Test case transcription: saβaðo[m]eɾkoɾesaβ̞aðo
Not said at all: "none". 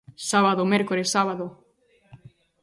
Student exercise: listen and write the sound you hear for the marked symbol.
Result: m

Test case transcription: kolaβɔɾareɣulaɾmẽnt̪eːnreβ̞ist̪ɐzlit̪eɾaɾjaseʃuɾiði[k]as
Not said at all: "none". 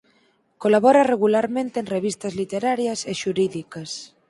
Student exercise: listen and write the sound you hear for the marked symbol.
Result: k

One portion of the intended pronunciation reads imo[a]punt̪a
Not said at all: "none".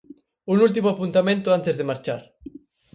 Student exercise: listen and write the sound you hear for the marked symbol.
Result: a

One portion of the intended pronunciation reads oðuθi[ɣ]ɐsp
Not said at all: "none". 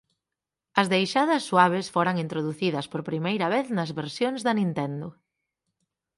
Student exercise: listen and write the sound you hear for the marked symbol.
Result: ð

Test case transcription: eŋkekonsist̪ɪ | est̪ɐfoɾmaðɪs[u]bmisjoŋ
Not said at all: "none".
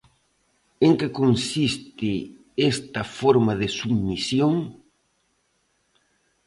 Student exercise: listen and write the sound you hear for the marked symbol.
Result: u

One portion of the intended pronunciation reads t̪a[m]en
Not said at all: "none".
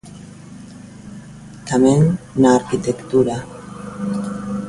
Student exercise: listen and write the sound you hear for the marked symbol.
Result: m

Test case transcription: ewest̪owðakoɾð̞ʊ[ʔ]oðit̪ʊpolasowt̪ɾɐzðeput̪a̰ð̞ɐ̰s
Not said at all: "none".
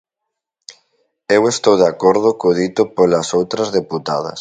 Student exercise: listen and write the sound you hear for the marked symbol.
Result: k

